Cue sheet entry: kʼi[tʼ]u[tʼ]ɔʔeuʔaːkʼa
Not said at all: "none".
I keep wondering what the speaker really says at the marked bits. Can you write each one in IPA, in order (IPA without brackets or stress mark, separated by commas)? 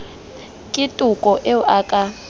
tʼ, kʼ